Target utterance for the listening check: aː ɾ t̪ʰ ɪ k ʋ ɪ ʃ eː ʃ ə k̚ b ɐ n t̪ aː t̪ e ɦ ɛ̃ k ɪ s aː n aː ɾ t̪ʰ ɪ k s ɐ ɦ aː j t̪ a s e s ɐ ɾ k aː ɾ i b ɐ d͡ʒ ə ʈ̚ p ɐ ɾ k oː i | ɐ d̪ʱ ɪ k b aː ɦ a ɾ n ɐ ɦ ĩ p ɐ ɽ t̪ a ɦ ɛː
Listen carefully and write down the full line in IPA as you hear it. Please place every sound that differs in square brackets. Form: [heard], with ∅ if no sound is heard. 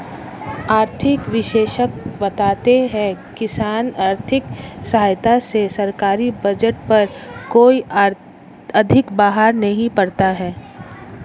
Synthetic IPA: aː ɾ t̪ʰ ɪ k ʋ ɪ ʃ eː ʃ ə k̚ b ɐ [∅] t̪ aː t̪ e ɦ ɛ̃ k ɪ s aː n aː ɾ t̪ʰ ɪ k s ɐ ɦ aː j t̪ a s e s ɐ ɾ k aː ɾ i b ɐ d͡ʒ ə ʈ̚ p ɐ ɾ k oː i | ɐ d̪ʱ ɪ k b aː ɦ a ɾ n ɐ ɦ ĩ p ɐ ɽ t̪ a ɦ ɛː